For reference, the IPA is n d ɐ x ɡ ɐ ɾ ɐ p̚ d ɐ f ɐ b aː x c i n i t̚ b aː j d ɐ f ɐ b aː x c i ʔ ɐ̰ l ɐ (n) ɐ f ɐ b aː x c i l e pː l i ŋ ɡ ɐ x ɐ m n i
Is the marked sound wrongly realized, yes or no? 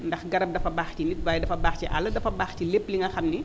yes